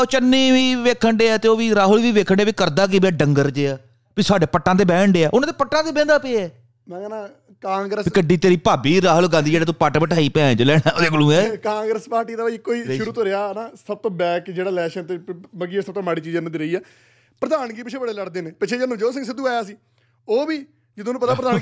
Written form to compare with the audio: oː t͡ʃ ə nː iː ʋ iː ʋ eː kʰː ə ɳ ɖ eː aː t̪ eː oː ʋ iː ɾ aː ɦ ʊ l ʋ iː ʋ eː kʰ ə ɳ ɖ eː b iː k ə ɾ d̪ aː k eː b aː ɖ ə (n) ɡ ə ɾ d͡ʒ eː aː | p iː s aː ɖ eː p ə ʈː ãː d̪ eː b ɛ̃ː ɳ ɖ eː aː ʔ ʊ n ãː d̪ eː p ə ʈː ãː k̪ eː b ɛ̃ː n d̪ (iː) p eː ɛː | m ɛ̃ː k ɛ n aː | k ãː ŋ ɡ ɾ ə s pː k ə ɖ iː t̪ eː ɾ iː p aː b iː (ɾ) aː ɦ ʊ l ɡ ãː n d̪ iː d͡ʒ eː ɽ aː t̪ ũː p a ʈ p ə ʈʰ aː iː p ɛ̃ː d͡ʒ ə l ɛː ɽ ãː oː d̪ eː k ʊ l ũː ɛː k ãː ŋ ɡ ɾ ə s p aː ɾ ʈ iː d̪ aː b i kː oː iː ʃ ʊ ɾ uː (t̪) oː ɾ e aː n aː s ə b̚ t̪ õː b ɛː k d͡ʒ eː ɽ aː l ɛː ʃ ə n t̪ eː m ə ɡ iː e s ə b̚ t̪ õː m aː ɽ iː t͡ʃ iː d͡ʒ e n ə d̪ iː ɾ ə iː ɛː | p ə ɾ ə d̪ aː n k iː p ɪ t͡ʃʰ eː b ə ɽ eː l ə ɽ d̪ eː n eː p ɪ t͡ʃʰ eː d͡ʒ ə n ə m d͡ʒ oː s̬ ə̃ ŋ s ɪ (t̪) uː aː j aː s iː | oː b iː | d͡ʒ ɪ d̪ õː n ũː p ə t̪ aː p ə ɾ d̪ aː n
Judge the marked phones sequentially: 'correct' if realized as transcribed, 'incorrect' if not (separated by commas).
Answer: incorrect, incorrect, correct, correct, incorrect